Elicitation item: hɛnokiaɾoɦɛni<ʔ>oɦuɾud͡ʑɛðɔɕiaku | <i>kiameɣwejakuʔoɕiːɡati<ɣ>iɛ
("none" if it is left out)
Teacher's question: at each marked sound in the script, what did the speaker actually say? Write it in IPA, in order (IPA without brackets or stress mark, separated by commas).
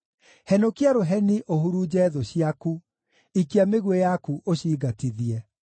ʔ, i, ð